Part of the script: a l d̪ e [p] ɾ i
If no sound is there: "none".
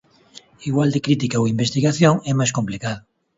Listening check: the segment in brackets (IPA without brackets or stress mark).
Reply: k